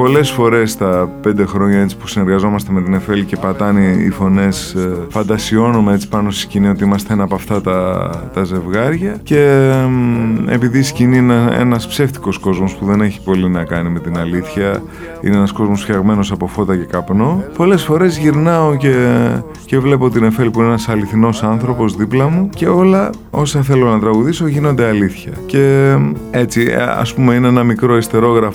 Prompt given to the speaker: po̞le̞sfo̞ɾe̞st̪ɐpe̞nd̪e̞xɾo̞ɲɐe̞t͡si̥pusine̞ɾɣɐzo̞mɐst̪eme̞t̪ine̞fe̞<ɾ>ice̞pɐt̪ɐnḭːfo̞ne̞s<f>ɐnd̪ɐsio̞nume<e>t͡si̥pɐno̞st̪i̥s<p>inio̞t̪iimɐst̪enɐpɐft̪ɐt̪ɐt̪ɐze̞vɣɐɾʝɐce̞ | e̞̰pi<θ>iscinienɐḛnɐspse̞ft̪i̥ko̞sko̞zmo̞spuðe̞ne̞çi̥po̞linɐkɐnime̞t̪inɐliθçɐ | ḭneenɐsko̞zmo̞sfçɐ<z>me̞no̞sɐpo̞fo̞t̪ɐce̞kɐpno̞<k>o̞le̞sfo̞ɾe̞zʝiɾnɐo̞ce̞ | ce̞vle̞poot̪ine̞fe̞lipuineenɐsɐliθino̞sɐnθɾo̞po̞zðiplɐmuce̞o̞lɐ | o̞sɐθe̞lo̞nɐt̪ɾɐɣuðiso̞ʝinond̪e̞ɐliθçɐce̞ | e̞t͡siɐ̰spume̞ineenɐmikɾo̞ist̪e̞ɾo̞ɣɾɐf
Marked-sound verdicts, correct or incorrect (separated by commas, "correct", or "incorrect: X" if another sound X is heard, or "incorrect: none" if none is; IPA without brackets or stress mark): incorrect: l, correct, correct, incorrect: c, incorrect: ð, incorrect: ɣ, incorrect: p